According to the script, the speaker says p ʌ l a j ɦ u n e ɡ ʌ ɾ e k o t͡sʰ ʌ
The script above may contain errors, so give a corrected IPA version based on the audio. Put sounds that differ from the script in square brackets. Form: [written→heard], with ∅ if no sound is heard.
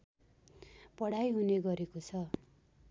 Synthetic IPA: p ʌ [l→ɽ] a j ɦ u n e ɡ ʌ ɾ e k o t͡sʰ ʌ